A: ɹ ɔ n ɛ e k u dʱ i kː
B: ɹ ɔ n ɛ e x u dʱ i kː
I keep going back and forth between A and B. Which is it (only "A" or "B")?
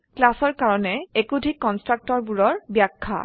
A